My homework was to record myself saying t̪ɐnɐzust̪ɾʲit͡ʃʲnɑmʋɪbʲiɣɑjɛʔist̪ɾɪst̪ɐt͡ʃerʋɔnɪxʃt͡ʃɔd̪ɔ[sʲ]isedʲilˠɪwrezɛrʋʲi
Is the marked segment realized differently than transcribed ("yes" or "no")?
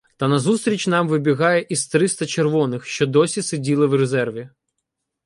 no